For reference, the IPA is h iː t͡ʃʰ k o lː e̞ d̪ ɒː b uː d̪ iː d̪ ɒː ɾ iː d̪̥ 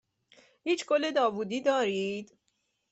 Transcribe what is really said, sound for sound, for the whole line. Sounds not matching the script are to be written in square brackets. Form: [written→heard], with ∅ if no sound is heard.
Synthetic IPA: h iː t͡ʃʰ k o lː e̞ d̪ ɒː [b→v] uː d̪ iː d̪ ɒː ɾ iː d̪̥

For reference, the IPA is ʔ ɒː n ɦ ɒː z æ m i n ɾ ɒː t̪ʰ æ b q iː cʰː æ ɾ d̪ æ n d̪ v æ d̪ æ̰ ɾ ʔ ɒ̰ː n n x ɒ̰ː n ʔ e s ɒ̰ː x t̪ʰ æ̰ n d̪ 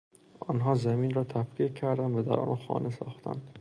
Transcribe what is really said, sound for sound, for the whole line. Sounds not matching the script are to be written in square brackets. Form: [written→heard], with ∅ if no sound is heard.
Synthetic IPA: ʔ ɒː n ɦ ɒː z æ m i n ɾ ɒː t̪ʰ æ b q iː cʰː æ ɾ d̪ æ n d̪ v æ d̪ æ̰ ɾ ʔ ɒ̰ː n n x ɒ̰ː n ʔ e s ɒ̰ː x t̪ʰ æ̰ n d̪

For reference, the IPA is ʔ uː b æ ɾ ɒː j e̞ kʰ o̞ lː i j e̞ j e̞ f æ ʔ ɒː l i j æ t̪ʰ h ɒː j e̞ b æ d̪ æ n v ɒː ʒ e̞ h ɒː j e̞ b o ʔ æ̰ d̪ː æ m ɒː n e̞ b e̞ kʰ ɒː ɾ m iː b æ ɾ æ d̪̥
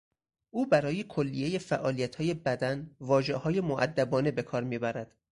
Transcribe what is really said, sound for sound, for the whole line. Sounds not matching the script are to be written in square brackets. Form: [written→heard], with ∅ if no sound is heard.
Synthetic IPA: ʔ uː b æ ɾ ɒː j e̞ kʰ o̞ lː i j e̞ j e̞ f æ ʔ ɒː l i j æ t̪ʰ h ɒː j e̞ b æ d̪ æ n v ɒː ʒ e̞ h ɒː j e̞ [b→m] o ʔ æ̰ d̪ː æ [m→b] ɒː n e̞ b e̞ kʰ ɒː ɾ m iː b æ ɾ æ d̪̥

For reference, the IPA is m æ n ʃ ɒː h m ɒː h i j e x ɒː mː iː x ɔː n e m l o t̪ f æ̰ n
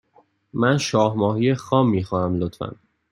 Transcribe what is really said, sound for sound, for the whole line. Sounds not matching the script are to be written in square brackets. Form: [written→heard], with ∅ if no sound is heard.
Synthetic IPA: m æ n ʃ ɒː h m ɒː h i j e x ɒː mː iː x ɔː n [e→æ] m l o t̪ f æ̰ n

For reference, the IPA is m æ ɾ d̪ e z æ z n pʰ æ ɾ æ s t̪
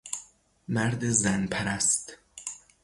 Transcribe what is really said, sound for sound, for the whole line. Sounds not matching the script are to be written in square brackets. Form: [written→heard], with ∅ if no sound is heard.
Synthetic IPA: m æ ɾ d̪ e z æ [z→∅] n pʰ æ ɾ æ s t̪

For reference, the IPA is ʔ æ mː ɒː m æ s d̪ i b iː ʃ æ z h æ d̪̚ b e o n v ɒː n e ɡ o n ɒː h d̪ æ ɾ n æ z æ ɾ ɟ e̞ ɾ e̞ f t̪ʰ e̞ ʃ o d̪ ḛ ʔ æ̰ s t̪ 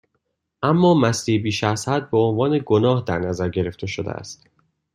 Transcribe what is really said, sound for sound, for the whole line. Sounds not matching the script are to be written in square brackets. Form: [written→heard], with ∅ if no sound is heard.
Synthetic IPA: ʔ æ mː ɒː m æ s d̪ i b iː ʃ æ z h æ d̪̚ b e o n v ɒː n e ɡ o n ɒː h d̪ æ ɾ n æ z æ ɾ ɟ e̞ ɾ e̞ f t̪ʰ e̞ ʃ o d̪ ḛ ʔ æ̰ s t̪

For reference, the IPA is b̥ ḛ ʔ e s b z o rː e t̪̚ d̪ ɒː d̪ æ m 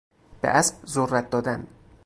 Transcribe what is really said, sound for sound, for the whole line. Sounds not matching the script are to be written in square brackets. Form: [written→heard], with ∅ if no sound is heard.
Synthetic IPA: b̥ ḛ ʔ [e→æ] s b z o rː [e→æ] t̪̚ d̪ ɒː d̪ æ [m→n]

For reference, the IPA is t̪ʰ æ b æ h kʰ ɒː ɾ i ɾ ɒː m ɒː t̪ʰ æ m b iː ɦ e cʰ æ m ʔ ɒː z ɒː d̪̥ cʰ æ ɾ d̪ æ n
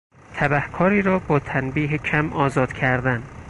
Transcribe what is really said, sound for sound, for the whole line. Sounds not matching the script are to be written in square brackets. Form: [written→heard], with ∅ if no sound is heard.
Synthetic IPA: t̪ʰ æ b æ h kʰ ɒː ɾ [i→iː] ɾ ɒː [m→b] ɒː t̪ʰ æ [m→n] b iː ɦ e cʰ æ m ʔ ɒː z ɒː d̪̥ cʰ æ ɾ d̪ æ n

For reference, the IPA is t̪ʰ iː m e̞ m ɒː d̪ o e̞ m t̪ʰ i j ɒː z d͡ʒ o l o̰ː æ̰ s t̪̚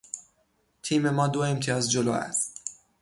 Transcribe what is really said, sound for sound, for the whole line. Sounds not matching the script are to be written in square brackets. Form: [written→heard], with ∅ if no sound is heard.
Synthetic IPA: t̪ʰ iː m e̞ m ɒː d̪ o e̞ m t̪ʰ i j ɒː z d͡ʒ o l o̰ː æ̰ s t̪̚

